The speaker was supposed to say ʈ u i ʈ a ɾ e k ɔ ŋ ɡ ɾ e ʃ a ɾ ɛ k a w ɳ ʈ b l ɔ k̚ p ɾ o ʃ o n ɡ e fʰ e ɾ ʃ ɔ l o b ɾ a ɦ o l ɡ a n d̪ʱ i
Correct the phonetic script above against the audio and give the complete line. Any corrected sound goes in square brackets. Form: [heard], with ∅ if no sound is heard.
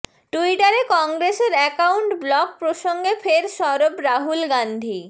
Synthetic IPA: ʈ u i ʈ a ɾ e k ɔ ŋ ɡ ɾ e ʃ [e] ɾ ɛ k a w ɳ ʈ b l ɔ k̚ p ɾ o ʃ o [ŋ] ɡ e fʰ e ɾ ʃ ɔ [ɾ] o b ɾ a ɦ [u] l ɡ a n d̪ʱ i